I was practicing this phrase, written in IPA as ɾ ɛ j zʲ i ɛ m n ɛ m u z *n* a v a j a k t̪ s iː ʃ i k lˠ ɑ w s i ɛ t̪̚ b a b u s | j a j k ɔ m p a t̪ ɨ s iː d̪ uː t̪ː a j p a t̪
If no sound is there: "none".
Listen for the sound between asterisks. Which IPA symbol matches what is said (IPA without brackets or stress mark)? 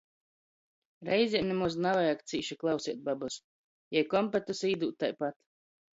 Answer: n